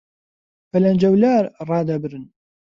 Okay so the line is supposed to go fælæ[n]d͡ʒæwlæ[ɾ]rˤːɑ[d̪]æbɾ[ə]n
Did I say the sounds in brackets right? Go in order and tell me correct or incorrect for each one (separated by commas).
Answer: correct, correct, correct, correct